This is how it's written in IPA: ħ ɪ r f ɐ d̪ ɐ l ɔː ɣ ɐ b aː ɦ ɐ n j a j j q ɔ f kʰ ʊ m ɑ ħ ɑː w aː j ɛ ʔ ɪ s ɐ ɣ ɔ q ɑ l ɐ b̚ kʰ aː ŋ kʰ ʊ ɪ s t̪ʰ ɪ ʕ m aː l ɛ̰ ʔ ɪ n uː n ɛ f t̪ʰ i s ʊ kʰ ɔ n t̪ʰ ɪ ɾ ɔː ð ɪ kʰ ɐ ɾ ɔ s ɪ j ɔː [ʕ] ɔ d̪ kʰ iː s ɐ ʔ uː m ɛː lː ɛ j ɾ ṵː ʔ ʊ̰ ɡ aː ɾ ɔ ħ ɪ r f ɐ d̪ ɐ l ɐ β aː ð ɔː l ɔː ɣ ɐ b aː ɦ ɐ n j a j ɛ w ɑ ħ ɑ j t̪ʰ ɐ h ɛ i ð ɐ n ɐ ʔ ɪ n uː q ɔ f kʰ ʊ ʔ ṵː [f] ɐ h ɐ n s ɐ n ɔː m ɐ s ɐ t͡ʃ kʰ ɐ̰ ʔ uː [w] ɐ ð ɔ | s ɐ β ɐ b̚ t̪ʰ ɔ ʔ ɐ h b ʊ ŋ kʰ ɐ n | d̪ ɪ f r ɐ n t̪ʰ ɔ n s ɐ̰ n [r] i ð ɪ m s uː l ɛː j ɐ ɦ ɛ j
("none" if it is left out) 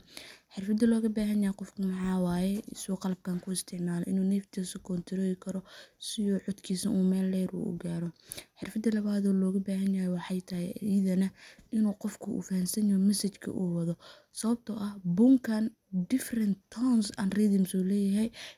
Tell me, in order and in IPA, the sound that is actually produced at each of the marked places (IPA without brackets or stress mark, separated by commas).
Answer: ʕ, f, w, r